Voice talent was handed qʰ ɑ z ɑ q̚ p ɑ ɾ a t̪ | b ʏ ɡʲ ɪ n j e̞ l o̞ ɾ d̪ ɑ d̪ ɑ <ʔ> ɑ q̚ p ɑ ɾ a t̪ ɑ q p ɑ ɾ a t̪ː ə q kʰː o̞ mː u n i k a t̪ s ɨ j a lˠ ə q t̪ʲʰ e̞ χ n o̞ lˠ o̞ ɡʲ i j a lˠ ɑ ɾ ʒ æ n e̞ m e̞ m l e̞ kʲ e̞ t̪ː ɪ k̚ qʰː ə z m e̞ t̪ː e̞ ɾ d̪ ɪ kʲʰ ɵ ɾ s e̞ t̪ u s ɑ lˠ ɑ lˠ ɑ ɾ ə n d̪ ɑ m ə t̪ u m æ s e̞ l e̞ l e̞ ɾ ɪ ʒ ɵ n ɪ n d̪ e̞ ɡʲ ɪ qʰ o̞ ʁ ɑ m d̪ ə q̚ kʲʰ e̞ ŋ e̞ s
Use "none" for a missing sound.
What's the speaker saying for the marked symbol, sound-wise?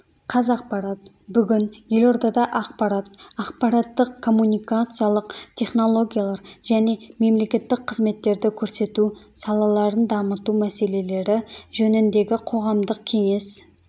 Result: ʔ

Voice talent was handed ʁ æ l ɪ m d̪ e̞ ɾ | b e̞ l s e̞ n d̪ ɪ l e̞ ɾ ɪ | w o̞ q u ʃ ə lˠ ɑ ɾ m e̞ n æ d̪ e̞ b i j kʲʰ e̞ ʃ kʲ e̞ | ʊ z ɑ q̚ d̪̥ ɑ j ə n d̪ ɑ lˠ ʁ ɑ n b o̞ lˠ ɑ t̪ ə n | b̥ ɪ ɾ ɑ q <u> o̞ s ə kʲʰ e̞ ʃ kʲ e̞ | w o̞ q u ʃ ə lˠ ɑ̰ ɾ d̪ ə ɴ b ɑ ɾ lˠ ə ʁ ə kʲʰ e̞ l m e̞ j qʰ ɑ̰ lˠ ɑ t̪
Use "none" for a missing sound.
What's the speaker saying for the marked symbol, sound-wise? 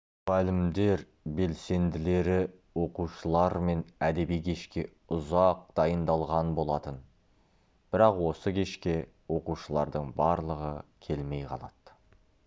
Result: w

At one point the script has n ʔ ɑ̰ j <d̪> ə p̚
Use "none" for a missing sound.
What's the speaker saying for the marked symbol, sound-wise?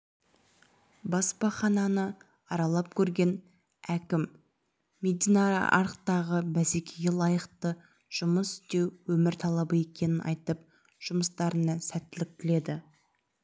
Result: t̪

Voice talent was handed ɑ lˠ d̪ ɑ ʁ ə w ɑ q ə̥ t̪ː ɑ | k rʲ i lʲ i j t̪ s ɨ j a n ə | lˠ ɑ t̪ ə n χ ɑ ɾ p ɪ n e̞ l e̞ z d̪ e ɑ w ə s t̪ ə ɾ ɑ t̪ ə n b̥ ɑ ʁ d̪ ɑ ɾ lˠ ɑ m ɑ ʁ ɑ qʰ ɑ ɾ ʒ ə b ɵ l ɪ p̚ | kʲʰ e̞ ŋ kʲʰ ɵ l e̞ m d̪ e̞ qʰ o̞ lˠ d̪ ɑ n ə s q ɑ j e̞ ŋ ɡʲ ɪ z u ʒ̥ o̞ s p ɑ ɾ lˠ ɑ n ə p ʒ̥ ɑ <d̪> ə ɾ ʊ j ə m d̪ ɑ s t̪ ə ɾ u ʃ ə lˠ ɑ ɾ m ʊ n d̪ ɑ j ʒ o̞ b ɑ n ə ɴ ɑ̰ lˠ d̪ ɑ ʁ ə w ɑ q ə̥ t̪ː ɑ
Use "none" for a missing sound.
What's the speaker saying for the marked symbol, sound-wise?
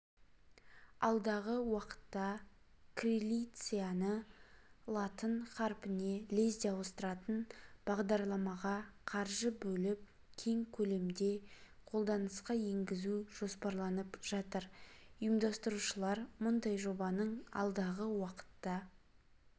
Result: t̪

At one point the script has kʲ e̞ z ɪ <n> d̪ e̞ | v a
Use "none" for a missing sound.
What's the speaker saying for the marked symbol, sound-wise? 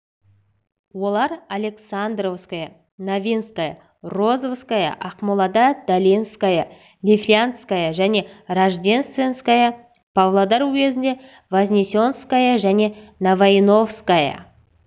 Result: n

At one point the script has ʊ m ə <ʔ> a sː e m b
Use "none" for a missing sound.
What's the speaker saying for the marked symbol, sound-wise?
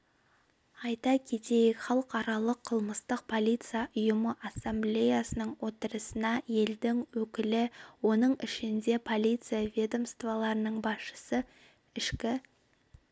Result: ʔ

